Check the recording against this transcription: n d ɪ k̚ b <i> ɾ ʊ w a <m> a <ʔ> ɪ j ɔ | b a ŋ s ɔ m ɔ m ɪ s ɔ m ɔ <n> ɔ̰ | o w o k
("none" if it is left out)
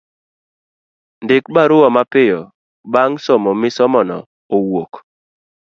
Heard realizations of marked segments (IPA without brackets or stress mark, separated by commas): a, m, p, n